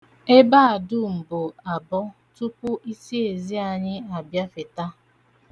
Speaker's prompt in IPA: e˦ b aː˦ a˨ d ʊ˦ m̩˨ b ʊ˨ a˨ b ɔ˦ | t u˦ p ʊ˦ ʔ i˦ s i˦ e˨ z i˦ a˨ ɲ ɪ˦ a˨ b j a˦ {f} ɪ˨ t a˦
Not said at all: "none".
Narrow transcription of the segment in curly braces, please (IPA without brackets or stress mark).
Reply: f